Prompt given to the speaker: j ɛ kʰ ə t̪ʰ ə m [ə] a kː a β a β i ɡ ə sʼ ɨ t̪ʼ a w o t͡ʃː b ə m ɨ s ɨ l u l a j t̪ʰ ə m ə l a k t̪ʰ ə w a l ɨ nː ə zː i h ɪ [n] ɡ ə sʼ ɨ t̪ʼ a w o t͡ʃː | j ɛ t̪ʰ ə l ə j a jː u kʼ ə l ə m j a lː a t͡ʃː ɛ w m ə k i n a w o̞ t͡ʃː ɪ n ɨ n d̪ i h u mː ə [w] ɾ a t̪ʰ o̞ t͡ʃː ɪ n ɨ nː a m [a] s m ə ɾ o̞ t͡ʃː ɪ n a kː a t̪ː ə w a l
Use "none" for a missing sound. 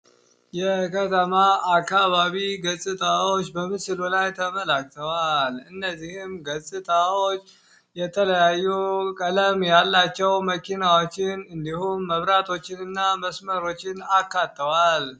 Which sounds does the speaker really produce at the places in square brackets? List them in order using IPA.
a, m, β, ə

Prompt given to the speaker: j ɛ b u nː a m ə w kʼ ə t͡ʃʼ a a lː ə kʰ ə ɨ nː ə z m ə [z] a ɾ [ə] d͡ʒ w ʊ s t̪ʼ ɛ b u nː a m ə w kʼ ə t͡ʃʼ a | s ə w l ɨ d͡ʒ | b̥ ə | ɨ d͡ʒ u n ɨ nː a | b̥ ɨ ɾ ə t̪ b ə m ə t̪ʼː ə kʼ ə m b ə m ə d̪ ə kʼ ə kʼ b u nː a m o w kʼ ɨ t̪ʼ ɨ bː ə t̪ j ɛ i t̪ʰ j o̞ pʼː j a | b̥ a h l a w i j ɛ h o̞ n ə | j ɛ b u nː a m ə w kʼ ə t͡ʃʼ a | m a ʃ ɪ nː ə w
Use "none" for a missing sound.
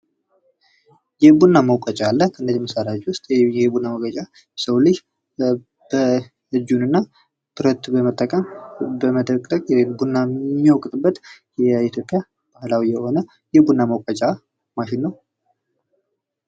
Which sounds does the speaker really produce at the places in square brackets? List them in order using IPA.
s, a

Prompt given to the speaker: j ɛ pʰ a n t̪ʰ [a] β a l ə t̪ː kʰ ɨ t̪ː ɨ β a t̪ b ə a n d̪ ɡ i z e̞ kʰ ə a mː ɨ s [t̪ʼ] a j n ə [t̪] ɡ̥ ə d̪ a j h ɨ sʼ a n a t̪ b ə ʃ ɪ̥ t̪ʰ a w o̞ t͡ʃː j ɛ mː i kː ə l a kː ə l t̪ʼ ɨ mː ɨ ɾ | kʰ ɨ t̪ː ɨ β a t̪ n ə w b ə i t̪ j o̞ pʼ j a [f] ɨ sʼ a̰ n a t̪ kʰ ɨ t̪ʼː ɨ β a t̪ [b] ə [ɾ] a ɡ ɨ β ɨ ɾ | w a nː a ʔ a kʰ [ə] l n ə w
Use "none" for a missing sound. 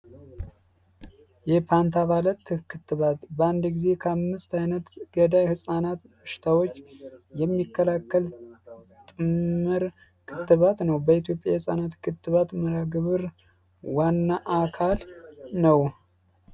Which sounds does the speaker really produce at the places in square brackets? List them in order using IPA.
a, t̪, t̪, h, m, ɾ, a

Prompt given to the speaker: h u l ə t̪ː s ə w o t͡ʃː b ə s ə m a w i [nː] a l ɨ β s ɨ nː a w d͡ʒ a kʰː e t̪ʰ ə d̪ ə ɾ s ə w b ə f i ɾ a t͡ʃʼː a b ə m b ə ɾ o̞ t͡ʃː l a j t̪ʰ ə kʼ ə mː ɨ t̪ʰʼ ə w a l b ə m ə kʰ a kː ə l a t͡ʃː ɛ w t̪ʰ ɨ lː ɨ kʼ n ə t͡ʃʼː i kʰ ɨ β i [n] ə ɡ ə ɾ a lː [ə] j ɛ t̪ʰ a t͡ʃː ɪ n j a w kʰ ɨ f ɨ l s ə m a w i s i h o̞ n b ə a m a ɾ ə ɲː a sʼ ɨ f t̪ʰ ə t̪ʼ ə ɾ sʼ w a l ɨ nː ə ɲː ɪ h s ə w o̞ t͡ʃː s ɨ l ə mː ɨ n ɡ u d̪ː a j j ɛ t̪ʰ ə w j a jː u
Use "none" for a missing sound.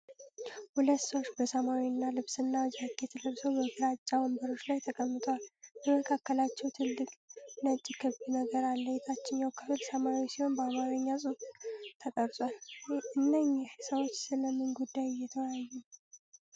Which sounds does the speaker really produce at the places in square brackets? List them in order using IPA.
nː, n, ə

